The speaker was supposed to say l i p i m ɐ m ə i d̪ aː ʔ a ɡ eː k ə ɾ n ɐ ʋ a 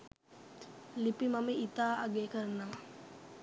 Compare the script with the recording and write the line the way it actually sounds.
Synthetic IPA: l i p i m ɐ m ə i t̪ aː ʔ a ɡ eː k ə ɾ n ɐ ʋ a